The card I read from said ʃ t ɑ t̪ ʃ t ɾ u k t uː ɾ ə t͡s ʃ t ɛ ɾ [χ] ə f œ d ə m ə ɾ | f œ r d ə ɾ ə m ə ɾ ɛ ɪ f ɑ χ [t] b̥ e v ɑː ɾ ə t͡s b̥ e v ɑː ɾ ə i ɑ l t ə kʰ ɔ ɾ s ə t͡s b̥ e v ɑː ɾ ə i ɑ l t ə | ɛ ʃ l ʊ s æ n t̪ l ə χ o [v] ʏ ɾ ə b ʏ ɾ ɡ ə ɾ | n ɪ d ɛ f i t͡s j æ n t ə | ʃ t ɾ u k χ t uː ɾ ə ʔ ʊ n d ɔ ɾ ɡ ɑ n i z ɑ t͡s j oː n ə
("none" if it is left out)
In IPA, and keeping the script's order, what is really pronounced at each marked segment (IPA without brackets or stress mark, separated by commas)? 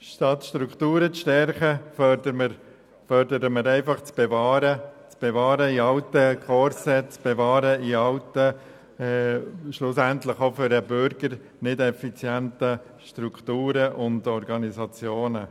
χ, t͡s, f